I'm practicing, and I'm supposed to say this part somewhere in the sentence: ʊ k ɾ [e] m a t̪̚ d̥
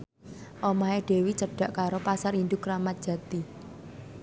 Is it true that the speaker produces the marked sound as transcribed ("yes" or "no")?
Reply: no